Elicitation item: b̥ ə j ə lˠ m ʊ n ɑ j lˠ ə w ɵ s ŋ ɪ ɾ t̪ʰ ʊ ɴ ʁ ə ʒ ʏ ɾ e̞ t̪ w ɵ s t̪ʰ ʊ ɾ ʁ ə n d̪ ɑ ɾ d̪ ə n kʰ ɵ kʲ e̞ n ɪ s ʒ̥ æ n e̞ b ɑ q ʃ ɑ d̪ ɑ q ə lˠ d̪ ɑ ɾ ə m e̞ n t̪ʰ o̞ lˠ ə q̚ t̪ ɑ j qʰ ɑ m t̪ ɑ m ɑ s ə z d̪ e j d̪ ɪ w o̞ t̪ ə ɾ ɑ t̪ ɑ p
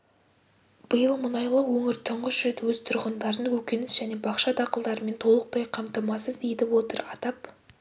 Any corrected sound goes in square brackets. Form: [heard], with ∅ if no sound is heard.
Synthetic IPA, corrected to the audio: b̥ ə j ə lˠ m ʊ n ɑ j lˠ ə w ɵ [∅] ŋ ɪ ɾ t̪ʰ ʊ ɴ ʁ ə ʒ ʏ ɾ e̞ t̪ w ɵ [z] t̪ʰ ʊ ɾ ʁ ə n d̪ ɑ ɾ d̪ ə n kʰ ɵ kʲ e̞ n ɪ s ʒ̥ æ n e̞ b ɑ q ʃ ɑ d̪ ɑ q ə lˠ d̪ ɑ ɾ ə m e̞ n t̪ʰ o̞ lˠ ə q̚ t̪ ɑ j qʰ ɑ m t̪ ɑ m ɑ s ə z d̪ e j d̪ ɪ w o̞ t̪ ə ɾ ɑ t̪ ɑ p